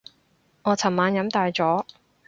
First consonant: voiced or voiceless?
voiced